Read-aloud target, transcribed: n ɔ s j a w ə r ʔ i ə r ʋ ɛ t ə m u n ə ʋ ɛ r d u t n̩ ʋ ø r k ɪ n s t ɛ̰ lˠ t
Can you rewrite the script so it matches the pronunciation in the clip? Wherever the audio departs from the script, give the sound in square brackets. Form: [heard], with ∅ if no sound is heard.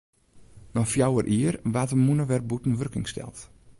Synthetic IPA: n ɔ [f] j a w ə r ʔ i ə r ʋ [a] t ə m u n ə ʋ ɛ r [b] u t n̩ ʋ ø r k ɪ [ŋ] s t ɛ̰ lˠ t